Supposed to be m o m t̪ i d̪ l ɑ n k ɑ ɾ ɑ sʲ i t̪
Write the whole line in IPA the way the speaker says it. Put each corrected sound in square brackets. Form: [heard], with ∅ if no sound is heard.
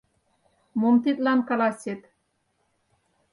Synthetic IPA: m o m t̪ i [t̪] l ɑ n k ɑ [l] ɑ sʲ [e] t̪